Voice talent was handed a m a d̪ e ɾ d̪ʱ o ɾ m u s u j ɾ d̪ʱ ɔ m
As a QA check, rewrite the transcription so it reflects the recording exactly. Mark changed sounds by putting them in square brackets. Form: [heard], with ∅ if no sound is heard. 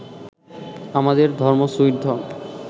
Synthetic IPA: a m a d̪ e ɾ d̪ʱ [ɔ] ɾ m [o] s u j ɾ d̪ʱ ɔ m